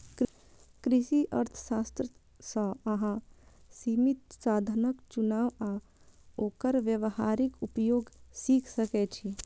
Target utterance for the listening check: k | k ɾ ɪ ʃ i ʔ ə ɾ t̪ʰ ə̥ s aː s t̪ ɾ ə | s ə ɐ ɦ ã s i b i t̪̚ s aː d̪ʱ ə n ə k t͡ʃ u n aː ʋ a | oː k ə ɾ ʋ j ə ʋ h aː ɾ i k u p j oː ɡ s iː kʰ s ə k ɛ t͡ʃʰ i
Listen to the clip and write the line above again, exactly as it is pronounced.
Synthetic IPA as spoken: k | k ɾ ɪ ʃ i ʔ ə ɾ t̪ʰ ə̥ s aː s t̪ ɾ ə | s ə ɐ ɦ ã s i m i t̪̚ s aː d̪ʱ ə n ə k t͡ʃ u n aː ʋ a | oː k ə ɾ ʋ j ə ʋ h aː ɾ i k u p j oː ɡ s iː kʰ s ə k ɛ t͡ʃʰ i